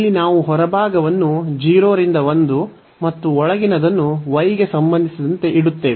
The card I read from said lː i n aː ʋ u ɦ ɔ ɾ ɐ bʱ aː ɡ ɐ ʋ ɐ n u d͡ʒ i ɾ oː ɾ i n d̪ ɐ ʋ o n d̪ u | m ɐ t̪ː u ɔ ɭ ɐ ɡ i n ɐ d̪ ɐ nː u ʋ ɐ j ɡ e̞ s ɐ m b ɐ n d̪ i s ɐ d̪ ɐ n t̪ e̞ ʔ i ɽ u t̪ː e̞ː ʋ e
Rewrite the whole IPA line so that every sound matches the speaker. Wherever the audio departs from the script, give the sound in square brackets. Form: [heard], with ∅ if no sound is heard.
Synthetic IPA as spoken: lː i n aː ʋ u ɦ ɔ ɾ ɐ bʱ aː ɡ ɐ ʋ ɐ [nː] u d͡ʒ [iː] ɾ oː ɾ i n d̪ ɐ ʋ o n d̪ u | m ɐ t̪ː u ɔ ɭ ɐ ɡ i n ɐ d̪ ɐ nː u ʋ ɐ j ɡ e̞ s ɐ m b ɐ n d̪ i s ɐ d̪ ɐ n t̪ e̞ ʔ i ɽ u t̪ː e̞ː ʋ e